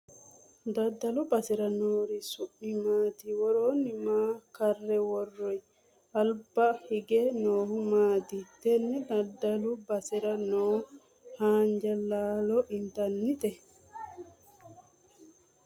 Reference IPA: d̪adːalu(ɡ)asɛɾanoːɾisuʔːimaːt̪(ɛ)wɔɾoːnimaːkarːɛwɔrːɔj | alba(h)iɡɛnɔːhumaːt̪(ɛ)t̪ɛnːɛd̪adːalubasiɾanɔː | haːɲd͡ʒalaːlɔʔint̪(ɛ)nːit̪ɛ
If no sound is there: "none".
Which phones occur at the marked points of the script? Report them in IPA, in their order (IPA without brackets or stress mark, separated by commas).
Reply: b, i, h, i, a